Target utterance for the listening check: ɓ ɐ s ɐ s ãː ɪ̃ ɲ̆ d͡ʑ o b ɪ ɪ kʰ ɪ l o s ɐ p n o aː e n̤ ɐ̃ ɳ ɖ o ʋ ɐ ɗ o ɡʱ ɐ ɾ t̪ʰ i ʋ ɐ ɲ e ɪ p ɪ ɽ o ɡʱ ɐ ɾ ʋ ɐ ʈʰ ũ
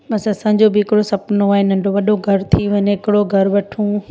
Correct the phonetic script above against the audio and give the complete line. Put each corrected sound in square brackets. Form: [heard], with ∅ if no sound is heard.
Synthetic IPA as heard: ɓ ɐ s ɐ s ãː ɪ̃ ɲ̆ d͡ʑ o b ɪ ɪ [k] ɪ [ɽ] o s ɐ p n o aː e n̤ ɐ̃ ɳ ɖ o ʋ ɐ ɗ o ɡʱ ɐ ɾ t̪ʰ i ʋ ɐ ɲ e ɪ [k] ɪ ɽ o ɡʱ ɐ ɾ ʋ ɐ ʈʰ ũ